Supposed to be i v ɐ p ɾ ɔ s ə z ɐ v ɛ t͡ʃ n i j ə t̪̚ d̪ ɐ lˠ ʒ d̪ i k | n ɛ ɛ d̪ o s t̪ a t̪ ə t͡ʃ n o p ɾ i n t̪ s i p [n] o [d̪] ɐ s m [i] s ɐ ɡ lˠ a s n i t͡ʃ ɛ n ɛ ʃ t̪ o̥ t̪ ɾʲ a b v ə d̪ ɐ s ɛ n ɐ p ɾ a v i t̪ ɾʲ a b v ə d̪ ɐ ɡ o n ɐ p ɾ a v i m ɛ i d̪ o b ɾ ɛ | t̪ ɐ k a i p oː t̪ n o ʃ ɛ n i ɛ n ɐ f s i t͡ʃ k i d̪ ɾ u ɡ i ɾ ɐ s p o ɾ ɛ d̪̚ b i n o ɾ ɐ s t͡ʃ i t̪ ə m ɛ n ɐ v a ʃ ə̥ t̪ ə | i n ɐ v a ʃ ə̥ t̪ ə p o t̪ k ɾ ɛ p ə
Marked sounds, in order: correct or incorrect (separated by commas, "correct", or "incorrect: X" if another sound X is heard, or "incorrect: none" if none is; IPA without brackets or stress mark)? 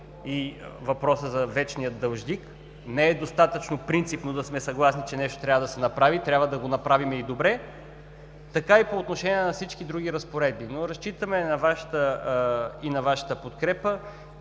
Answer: correct, correct, incorrect: ɛ